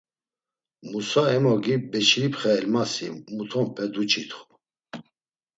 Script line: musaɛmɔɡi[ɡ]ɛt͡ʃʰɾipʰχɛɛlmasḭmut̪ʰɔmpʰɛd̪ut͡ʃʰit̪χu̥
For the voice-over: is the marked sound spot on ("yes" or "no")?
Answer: no